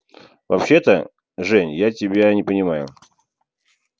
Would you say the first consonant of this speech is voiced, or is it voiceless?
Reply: voiced